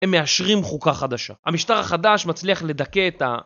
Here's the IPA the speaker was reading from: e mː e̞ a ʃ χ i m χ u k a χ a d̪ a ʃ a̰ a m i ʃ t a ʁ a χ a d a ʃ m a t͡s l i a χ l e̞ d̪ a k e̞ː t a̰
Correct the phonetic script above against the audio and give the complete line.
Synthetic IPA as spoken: e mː e̞ a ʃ ʁ i m χ u k a χ a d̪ a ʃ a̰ a m i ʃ t a ʁ a χ a d a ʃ m a t͡s l i a χ l e̞ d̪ a k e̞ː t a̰